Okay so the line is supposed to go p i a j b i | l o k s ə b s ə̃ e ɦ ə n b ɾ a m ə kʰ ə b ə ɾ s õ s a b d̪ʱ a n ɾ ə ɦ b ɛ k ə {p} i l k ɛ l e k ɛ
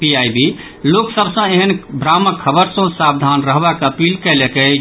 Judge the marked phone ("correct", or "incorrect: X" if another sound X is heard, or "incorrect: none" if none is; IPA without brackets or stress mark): correct